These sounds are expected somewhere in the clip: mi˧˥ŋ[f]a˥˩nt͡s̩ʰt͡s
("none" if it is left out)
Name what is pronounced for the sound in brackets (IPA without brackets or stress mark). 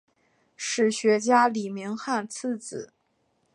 x